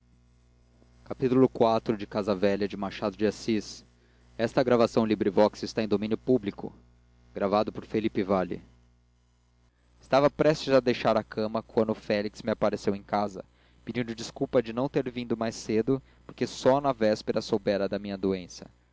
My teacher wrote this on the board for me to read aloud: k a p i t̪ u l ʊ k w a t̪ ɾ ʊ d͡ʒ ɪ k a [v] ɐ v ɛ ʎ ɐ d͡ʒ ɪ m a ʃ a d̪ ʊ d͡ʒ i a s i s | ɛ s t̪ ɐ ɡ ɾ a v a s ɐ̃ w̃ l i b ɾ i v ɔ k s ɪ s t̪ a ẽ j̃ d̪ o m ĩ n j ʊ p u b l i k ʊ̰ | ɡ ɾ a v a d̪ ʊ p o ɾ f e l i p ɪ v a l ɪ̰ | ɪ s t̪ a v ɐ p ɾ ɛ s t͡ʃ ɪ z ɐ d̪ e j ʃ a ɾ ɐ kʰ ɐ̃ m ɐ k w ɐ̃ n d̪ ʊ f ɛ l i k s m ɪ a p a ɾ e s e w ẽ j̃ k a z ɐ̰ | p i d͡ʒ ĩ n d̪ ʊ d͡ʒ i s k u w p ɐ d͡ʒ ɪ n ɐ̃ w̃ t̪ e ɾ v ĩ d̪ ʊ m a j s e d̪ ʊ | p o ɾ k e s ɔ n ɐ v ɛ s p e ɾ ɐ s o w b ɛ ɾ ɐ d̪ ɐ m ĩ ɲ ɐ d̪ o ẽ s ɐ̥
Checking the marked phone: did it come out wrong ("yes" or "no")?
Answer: yes